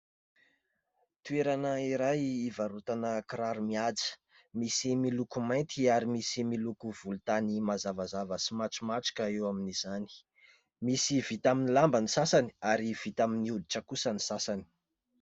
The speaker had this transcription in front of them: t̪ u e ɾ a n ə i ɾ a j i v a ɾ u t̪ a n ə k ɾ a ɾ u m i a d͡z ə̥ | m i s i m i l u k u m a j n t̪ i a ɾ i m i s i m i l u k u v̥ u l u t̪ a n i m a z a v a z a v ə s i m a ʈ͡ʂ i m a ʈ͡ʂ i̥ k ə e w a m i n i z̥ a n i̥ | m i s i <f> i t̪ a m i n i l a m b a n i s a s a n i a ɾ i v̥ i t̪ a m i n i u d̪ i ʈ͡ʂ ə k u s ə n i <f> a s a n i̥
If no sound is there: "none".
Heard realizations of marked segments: v, s

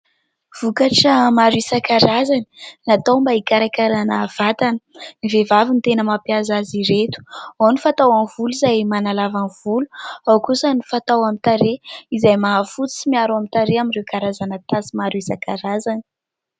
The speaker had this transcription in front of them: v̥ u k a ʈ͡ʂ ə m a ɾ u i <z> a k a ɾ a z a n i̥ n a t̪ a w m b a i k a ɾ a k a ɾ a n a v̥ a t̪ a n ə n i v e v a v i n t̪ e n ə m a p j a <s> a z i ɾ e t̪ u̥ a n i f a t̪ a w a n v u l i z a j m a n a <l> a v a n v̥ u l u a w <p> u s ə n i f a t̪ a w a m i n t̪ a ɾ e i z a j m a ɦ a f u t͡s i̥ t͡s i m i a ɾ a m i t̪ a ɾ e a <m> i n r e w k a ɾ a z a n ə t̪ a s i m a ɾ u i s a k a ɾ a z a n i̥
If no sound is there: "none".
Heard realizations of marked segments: s, z, l, k, m

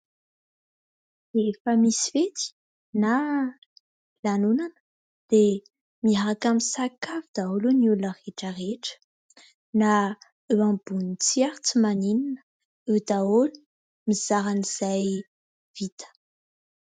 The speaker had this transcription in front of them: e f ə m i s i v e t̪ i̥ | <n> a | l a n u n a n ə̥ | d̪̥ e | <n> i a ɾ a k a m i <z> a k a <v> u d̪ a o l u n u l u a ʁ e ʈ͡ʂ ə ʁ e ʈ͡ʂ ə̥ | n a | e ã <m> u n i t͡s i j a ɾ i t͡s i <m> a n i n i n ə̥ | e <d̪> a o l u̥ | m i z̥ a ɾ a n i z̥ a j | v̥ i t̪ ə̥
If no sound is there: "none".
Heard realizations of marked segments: n, m, s, v, b, m, d̪

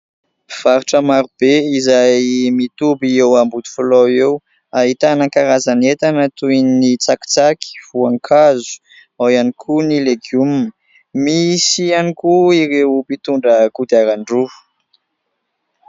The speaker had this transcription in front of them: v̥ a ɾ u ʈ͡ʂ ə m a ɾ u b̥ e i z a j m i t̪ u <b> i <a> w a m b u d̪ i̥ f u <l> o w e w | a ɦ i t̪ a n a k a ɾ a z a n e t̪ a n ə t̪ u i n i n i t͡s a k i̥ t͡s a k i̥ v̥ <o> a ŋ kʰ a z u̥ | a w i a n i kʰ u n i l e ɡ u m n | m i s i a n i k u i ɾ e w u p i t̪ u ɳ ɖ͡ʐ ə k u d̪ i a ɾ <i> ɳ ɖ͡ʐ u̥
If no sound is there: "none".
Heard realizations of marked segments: b, e, l, u, a

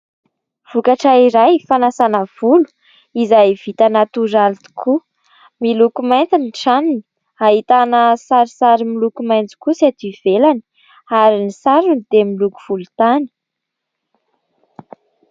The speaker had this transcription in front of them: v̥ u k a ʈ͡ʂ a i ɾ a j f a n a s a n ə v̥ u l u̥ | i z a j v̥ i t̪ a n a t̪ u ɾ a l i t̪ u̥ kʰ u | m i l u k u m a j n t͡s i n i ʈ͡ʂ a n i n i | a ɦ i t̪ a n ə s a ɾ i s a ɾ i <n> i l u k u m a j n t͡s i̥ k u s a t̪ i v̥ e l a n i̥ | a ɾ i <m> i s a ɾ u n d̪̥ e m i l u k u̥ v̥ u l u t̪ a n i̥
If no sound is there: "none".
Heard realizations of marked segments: m, n

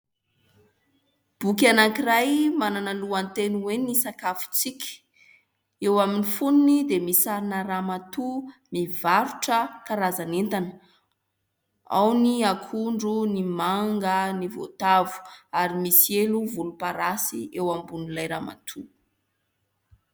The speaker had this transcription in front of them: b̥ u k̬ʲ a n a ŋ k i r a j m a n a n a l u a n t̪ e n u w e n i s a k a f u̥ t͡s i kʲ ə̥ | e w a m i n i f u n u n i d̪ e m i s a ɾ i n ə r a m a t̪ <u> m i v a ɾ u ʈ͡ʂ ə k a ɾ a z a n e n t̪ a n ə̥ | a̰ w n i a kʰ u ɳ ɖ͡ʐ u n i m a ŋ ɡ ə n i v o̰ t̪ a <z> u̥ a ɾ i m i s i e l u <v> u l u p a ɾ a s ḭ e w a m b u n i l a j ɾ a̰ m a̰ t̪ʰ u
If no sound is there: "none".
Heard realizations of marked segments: u, v, v

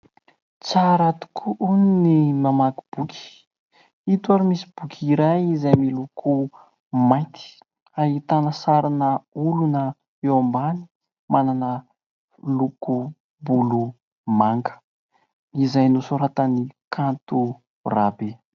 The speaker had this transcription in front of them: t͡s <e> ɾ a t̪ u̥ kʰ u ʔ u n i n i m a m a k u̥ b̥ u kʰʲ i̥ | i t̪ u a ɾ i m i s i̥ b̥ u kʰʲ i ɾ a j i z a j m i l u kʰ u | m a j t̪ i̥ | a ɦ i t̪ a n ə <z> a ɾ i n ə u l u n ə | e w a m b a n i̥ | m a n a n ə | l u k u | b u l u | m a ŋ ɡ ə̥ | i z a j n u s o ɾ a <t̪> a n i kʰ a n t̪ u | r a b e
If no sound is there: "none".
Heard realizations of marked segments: a, s, t̪

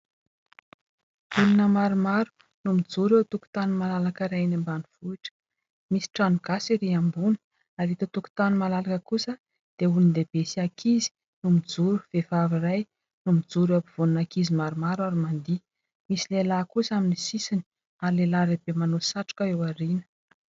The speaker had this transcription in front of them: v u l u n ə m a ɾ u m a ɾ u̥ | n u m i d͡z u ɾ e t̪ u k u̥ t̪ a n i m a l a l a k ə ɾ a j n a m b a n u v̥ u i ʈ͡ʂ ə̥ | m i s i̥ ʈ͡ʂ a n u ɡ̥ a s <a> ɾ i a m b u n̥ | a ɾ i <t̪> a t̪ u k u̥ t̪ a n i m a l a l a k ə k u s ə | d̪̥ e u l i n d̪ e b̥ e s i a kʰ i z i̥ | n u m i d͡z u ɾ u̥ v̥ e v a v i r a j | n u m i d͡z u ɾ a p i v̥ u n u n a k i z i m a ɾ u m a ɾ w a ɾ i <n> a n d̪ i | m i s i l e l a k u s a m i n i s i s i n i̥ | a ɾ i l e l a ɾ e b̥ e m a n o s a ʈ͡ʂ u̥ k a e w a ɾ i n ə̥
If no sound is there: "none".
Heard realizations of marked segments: i, t̪, m

